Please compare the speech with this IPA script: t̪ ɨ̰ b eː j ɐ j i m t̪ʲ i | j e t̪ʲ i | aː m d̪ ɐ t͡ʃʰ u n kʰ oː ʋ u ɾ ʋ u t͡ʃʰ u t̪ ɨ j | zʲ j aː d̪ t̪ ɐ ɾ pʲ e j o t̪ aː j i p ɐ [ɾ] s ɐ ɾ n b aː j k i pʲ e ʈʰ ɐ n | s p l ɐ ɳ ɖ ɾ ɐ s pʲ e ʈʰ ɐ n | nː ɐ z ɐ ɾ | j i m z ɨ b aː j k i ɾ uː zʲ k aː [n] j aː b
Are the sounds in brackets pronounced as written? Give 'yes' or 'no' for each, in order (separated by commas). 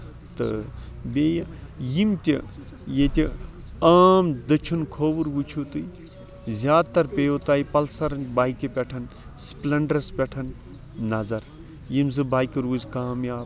no, no